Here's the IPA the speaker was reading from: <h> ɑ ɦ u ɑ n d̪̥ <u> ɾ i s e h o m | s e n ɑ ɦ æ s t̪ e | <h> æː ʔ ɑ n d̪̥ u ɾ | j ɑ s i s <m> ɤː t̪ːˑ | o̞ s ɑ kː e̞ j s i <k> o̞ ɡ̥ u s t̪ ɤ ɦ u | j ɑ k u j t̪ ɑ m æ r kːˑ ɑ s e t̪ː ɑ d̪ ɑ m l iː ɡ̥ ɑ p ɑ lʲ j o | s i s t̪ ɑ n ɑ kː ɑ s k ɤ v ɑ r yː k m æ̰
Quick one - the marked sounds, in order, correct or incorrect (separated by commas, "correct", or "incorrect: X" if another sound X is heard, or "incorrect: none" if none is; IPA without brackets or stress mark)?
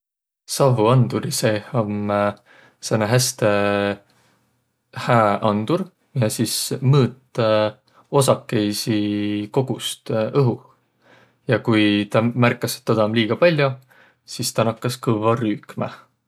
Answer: incorrect: s, correct, correct, correct, correct